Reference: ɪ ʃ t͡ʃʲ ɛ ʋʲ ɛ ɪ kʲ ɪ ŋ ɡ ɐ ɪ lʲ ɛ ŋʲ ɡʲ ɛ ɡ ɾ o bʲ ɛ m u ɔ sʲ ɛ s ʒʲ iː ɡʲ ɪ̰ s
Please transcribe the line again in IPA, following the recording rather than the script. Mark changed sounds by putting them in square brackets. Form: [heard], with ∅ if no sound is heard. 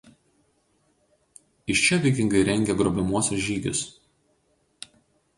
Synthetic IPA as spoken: ɪ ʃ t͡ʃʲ ɛ ʋʲ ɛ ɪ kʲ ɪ ŋ ɡ ɐ ɪ [ɾʲ] ɛ ŋʲ ɡʲ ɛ ɡ ɾ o bʲ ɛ m u ɔ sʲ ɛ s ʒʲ iː ɡʲ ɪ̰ s